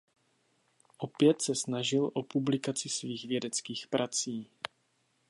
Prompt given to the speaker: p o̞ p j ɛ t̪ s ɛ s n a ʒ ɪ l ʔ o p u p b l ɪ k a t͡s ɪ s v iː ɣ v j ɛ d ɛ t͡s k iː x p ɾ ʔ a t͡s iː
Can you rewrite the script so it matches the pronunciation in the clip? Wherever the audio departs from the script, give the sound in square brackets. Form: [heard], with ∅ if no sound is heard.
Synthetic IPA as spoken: [ʔ] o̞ p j ɛ t̪ s ɛ s n a ʒ ɪ l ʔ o p u [∅] b l ɪ k a t͡s ɪ s v iː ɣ v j ɛ d ɛ t͡s k iː x p ɾ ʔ a t͡s iː